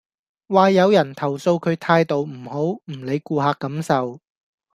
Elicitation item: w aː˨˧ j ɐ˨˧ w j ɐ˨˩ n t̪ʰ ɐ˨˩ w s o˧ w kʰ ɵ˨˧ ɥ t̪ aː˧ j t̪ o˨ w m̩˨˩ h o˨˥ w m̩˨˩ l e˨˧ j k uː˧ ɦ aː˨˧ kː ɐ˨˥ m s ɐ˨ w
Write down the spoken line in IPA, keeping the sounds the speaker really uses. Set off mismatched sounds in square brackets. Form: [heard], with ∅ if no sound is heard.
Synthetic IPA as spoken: w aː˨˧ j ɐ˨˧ w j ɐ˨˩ n t̪ʰ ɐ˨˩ w s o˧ w kʰ ɵ˨˧ ɥ [t̪ʰ] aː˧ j t̪ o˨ w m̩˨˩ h o˨˥ w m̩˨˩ l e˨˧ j k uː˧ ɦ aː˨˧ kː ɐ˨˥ m s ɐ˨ w